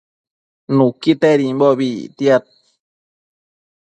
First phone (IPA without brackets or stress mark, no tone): n